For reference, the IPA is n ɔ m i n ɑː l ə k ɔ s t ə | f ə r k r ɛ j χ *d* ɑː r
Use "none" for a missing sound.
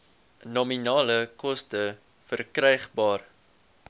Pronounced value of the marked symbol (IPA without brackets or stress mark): b